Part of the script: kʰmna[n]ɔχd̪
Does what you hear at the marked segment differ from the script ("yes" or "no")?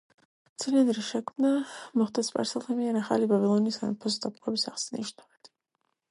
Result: yes